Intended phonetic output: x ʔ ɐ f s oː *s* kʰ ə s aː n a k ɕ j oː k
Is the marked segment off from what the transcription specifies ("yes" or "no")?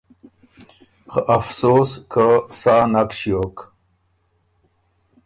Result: no